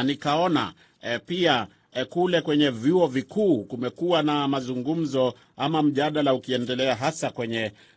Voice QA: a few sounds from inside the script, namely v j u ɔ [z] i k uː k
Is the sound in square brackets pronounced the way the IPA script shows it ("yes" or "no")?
no